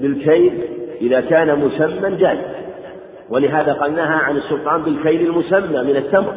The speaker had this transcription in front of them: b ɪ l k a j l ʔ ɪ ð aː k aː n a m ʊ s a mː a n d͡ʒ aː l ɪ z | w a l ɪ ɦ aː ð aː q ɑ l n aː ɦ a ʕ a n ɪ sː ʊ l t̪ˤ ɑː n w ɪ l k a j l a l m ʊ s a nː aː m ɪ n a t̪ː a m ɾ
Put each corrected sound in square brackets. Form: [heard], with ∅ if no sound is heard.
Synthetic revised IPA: b ɪ l k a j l ʔ ɪ ð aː k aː n a m ʊ s a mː a n d͡ʒ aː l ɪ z | w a l ɪ ɦ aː ð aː q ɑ l n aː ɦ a ʕ a n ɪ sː ʊ l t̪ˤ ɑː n [b] ɪ l k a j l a l m ʊ s a [mː] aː m ɪ n a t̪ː a m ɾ